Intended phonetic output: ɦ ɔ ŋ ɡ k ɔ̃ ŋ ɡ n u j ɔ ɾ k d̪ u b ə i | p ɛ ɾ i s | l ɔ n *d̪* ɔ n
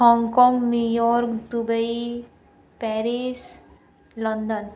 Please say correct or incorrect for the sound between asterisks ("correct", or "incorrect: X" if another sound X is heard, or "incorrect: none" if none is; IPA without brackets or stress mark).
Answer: correct